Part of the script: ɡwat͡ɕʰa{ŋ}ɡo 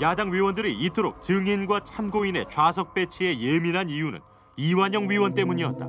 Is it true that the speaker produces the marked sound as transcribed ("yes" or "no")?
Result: no